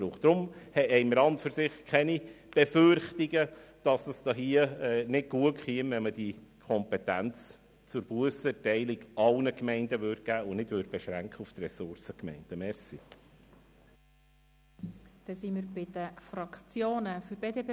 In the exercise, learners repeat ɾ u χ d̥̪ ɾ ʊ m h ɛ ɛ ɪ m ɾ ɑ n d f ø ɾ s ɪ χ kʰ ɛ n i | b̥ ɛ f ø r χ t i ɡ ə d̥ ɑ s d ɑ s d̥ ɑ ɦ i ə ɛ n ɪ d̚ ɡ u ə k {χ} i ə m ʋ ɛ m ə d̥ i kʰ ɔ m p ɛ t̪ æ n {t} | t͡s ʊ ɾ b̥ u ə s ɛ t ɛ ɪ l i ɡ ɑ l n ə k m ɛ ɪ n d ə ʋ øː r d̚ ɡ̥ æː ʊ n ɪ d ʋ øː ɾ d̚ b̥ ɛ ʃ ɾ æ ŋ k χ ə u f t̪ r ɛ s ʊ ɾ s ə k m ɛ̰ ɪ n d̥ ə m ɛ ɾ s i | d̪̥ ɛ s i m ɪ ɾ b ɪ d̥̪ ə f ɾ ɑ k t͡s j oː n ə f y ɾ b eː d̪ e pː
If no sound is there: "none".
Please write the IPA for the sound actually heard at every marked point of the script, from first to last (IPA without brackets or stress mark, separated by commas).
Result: χ, t͡s